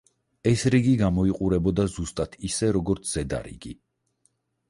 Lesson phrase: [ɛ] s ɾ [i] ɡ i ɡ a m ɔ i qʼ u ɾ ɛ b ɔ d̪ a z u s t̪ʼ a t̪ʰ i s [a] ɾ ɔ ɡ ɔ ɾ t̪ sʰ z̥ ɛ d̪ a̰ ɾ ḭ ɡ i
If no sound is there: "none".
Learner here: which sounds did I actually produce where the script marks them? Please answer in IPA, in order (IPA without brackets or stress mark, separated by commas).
ɛ, i, ɛ